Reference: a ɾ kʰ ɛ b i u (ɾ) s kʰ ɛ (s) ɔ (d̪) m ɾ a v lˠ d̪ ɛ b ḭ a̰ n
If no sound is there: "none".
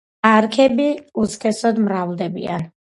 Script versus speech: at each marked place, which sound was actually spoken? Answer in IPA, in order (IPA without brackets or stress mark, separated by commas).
none, s, d̪